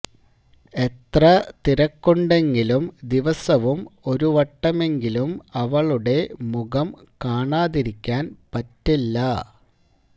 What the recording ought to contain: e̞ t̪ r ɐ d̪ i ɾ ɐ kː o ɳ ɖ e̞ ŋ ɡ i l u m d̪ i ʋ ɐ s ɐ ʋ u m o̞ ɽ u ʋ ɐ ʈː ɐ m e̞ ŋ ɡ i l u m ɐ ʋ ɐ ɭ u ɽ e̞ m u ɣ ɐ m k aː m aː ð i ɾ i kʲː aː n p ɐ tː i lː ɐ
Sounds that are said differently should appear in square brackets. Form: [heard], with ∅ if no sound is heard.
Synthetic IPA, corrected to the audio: e̞ t̪ r ɐ [t̪] i ɾ ɐ kː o ɳ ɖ e̞ ŋ ɡ i l u m d̪ i ʋ ɐ s ɐ ʋ u m o̞ [ɾ] u ʋ ɐ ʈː ɐ m e̞ ŋ ɡ i l u m ɐ ʋ ɐ ɭ u ɽ e̞ m u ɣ ɐ m k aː [ɳ] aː ð i ɾ i kʲː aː n p ɐ tː i lː ɐ